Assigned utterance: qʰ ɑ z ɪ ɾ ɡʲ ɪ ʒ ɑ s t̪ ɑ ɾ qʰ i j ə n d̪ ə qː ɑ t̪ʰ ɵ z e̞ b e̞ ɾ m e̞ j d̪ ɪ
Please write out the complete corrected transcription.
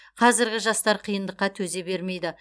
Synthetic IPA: qʰ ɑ z ɪ ɾ ɡʲ ɪ ʒ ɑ s t̪ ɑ ɾ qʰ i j ə n d̪ ə qː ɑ t̪ʰ ɵ z e̞ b e̞ ɾ m e̞ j d̪ ɪ